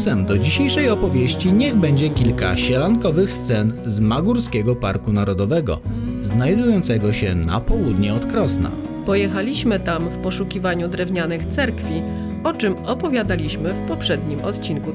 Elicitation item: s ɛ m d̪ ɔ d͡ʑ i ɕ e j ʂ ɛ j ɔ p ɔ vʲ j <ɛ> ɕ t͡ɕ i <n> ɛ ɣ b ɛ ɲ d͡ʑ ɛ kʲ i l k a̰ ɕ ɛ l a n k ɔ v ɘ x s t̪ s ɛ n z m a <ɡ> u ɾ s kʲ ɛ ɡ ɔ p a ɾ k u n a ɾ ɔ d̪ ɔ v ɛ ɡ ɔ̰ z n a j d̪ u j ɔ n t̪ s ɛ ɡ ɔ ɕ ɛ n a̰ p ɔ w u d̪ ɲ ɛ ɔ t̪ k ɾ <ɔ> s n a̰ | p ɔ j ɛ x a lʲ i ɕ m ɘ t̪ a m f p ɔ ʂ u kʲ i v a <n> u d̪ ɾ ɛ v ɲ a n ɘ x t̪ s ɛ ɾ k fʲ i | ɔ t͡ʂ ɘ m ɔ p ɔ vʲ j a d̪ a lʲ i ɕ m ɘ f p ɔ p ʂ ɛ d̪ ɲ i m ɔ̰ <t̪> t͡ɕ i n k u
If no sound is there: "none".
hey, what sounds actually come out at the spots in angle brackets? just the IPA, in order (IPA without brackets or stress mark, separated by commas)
e, ɲ, ɡ, ɔ, ɲ, t̪